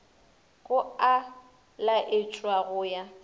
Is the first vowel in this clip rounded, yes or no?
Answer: yes